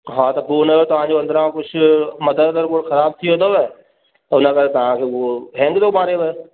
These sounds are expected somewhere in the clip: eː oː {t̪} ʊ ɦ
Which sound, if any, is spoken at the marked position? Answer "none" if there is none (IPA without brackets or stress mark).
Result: t̪